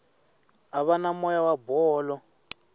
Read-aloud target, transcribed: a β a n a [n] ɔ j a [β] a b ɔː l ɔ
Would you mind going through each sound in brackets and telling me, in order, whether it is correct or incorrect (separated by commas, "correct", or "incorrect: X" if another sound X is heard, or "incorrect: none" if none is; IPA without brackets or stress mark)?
incorrect: m, incorrect: w